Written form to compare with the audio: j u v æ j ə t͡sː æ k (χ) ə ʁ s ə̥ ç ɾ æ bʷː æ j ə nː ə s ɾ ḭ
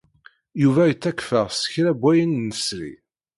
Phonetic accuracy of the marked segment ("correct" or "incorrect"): incorrect